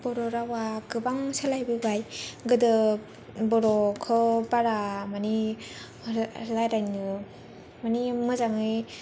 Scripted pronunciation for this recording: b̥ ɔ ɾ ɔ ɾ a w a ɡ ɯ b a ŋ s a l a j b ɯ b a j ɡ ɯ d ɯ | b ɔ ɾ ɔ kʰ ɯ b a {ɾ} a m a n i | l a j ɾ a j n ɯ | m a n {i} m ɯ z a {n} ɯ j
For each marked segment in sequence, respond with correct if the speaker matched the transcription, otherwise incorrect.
correct, correct, incorrect: ŋ

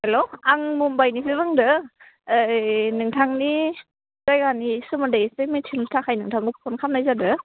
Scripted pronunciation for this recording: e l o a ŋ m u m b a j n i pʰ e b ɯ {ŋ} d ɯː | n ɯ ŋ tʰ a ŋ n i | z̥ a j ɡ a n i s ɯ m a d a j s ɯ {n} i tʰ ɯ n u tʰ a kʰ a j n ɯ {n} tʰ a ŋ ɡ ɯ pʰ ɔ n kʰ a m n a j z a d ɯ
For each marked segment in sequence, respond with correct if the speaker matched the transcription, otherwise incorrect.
correct, incorrect: m, incorrect: ŋ

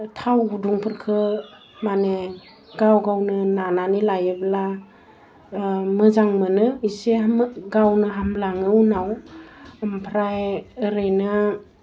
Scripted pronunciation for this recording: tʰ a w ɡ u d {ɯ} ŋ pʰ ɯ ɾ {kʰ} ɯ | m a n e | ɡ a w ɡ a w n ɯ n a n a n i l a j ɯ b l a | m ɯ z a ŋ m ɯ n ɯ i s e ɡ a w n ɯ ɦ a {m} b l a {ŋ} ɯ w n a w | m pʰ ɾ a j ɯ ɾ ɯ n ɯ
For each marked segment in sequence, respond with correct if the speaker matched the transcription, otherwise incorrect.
incorrect: u, correct, correct, correct

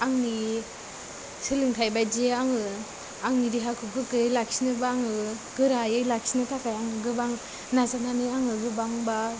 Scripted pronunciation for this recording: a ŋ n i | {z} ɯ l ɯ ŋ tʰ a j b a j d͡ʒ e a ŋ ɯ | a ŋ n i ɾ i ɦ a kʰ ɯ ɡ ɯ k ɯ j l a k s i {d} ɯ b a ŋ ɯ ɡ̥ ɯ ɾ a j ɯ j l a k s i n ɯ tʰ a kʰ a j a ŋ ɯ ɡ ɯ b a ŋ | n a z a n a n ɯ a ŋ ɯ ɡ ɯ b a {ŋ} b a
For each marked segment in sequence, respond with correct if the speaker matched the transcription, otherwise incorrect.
incorrect: s, incorrect: n, correct

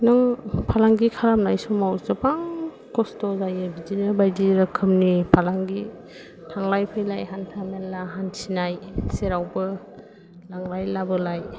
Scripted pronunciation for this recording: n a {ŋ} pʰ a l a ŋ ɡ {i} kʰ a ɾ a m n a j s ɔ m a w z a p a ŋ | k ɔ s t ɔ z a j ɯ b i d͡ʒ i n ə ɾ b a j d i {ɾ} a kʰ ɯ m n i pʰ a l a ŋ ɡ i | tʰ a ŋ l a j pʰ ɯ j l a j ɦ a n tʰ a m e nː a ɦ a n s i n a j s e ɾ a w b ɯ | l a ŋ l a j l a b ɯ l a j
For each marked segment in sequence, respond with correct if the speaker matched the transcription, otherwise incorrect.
correct, correct, correct

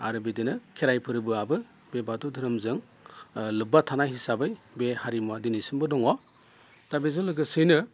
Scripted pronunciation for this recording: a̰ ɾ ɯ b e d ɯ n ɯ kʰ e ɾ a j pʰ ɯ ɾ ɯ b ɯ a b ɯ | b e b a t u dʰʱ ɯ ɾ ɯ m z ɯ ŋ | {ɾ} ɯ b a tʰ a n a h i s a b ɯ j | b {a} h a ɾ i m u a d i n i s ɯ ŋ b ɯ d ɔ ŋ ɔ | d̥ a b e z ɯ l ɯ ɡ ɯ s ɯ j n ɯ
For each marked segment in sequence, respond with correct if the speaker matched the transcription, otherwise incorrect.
incorrect: l, incorrect: e

